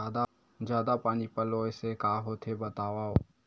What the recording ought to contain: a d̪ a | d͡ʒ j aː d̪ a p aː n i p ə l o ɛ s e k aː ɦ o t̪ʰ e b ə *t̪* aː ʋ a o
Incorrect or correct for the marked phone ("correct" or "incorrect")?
correct